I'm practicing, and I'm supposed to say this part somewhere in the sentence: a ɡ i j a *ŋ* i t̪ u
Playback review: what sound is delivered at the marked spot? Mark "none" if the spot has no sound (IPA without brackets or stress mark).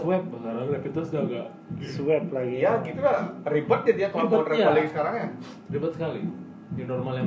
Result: ɡ